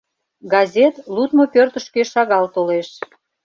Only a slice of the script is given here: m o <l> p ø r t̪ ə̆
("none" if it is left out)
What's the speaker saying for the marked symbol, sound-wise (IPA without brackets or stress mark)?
none